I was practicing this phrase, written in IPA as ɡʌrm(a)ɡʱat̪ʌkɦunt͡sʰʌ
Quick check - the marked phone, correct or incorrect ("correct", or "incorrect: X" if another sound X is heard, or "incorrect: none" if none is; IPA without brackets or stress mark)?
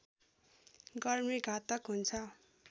incorrect: i